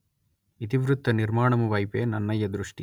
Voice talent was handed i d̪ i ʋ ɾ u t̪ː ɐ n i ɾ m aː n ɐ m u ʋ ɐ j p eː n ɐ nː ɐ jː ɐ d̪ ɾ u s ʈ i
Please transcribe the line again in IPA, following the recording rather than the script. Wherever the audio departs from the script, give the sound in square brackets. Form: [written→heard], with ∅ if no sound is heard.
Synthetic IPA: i [d̪→t̪] i ʋ ɾ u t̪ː ɐ n i ɾ m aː [n→ɳ] ɐ m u ʋ ɐ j p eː n ɐ nː ɐ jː ɐ d̪ ɾ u [s→ʂ] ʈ i